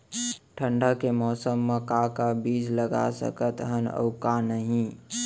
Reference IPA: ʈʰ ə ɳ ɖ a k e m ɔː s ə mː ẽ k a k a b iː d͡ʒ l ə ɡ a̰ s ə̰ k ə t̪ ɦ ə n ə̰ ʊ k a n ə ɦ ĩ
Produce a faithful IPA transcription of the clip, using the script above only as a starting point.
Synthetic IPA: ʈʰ ə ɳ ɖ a k e m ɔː s ə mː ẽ k a k a b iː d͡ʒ l ə ɡ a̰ s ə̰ k ə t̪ ɦ ə n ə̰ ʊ k a n ə ɦ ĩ